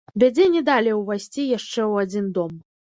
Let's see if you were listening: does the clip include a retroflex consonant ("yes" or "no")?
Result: yes